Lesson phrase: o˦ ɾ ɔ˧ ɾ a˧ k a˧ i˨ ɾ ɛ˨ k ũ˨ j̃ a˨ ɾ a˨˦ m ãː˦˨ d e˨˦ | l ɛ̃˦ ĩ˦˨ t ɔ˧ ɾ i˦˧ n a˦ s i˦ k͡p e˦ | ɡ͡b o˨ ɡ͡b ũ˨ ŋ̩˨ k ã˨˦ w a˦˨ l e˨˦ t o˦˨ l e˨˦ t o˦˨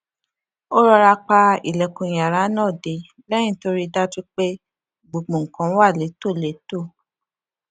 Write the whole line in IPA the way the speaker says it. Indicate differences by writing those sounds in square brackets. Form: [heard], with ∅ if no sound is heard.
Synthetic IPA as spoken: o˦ ɾ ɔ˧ ɾ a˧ [k͡p] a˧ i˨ [l] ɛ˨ k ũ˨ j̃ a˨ ɾ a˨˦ [n] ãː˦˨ d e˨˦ | l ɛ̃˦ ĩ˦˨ t [o˧] ɾ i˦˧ [d] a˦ [t] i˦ k͡p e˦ | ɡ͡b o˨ ɡ͡b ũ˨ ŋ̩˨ k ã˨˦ w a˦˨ l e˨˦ t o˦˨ l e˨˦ t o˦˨

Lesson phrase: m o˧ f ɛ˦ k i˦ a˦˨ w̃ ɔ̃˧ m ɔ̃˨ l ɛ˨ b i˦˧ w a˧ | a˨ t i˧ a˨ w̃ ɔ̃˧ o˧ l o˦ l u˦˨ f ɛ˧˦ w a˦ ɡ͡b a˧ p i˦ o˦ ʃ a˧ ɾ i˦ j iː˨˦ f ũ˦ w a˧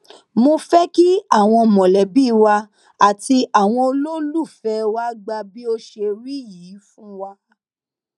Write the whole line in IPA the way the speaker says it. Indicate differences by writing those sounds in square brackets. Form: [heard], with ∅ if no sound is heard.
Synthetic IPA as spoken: m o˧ f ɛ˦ k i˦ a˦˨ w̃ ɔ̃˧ m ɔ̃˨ l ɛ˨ b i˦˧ w a˧ | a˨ t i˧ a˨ w̃ ɔ̃˧ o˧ l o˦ l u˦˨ f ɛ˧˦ w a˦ ɡ͡b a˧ [b] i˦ o˦ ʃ [e˧] ɾ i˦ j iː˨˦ f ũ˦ w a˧

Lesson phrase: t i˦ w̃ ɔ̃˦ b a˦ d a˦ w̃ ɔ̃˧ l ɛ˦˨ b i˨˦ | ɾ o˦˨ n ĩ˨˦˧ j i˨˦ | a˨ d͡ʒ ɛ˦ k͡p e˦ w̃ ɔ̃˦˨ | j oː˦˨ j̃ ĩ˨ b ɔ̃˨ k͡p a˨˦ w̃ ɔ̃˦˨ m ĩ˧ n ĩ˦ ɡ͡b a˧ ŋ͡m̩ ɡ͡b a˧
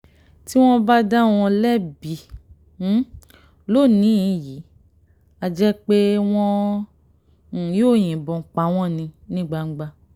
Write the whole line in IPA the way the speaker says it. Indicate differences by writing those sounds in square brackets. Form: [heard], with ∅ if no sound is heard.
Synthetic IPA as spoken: t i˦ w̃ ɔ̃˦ b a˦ d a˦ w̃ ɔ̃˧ l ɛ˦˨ b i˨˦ | [l] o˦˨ n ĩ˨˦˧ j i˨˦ | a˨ d͡ʒ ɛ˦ k͡p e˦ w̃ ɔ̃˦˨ | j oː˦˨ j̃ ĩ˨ b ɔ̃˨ k͡p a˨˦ w̃ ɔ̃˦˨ [n] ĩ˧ n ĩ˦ ɡ͡b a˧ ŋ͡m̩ ɡ͡b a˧

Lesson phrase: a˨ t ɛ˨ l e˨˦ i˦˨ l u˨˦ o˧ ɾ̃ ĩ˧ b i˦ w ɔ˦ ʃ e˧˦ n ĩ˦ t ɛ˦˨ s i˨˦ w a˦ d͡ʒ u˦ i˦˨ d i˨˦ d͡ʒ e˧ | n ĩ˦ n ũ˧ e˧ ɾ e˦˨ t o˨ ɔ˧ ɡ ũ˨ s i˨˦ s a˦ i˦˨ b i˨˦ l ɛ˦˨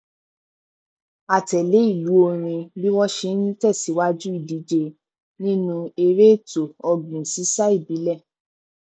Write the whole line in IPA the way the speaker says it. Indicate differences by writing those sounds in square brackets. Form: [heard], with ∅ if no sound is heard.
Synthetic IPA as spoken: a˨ t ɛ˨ l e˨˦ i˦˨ l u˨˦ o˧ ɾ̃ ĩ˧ b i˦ w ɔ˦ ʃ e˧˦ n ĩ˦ t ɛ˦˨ s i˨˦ w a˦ d͡ʒ u˦ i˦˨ d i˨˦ d͡ʒ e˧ | n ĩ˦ n ũ˧ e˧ ɾ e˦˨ t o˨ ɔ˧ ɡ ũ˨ s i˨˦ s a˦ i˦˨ b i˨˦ l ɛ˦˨

